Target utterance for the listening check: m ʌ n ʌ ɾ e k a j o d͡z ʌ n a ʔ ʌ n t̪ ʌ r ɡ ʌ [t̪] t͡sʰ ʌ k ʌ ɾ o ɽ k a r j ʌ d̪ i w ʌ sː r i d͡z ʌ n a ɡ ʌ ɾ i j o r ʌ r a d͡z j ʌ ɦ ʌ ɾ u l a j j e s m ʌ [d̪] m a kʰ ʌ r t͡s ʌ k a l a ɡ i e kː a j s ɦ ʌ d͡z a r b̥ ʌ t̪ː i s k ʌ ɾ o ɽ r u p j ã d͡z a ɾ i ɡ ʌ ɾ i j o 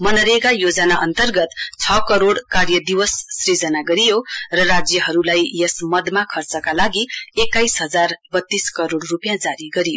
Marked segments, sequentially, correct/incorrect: correct, correct

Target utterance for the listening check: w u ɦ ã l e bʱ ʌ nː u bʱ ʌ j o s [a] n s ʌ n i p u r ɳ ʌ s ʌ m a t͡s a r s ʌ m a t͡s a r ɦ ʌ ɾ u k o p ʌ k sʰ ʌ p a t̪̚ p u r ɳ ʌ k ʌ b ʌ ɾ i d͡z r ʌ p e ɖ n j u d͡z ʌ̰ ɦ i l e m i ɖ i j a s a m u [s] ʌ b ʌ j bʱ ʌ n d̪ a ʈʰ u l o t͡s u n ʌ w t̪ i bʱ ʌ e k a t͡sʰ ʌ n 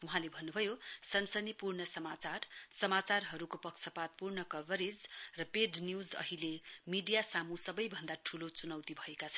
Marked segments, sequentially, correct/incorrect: incorrect: ʌ, correct

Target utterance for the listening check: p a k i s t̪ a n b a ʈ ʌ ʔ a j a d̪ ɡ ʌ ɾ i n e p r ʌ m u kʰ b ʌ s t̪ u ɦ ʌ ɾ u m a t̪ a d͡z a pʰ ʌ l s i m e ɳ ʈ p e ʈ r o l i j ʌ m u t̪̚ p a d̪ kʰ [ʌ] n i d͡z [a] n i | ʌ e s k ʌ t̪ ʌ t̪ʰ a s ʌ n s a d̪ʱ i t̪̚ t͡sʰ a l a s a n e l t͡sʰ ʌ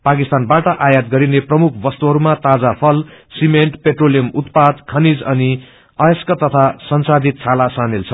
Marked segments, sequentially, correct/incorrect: correct, incorrect: ʌ

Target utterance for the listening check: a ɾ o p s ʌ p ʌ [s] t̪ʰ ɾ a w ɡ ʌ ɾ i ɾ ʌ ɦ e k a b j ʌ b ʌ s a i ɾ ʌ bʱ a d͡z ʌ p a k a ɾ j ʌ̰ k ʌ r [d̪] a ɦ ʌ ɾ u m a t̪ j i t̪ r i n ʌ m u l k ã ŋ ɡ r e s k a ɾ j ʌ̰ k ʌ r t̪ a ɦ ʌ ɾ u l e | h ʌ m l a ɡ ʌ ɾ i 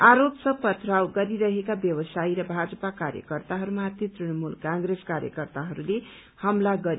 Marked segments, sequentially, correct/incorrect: incorrect: none, incorrect: t̪

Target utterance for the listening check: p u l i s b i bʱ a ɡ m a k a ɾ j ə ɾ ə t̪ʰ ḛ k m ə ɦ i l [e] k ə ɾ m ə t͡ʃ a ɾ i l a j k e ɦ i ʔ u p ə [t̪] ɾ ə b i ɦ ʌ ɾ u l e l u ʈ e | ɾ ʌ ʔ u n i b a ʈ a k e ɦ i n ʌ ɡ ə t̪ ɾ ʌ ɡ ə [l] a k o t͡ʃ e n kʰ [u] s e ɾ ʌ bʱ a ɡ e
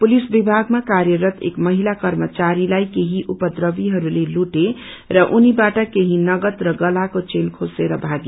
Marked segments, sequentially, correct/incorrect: incorrect: a, incorrect: d̪, correct, incorrect: o

